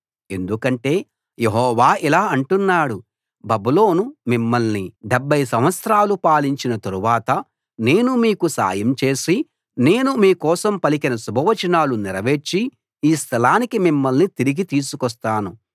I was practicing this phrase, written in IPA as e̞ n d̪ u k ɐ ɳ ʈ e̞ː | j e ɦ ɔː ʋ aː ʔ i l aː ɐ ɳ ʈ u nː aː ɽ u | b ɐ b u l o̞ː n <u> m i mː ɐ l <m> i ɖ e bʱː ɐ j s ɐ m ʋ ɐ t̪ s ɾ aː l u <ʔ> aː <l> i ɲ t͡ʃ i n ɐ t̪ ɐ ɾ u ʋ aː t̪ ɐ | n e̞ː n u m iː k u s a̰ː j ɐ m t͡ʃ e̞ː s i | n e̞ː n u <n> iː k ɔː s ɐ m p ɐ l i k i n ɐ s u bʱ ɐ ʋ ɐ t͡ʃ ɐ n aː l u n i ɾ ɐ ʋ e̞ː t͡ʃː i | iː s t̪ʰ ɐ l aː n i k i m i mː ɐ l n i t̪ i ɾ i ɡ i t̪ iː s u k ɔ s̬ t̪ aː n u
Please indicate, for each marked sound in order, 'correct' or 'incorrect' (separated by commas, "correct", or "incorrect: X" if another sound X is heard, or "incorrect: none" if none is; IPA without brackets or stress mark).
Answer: correct, incorrect: n, incorrect: p, correct, incorrect: m